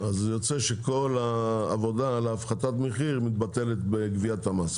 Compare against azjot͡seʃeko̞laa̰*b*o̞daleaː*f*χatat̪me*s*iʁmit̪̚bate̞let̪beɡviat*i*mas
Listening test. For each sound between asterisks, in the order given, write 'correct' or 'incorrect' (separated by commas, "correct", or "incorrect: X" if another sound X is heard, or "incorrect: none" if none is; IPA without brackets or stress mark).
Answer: incorrect: v, correct, incorrect: χ, incorrect: a